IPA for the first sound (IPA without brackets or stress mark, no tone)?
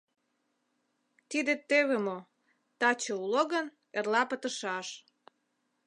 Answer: t̪